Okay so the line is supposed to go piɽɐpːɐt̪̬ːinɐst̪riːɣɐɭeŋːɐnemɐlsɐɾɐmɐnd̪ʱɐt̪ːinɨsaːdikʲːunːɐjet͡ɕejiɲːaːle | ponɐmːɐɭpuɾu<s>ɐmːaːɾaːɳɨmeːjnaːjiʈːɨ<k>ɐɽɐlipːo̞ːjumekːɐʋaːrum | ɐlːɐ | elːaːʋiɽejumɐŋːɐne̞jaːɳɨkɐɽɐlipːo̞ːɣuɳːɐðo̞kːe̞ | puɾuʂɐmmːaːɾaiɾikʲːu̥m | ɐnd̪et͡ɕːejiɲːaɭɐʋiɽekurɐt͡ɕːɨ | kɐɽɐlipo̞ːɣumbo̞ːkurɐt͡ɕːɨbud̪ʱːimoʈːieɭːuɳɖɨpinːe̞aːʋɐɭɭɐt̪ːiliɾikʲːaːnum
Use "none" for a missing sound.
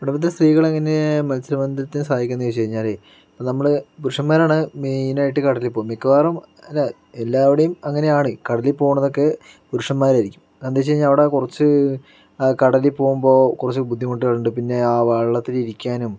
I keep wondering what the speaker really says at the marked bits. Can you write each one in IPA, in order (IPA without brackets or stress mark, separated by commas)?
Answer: ʂ, k